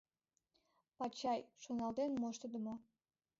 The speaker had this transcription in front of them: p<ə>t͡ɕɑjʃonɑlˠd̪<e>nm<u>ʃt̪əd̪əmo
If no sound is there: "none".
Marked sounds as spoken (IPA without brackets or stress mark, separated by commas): ɑ, e, o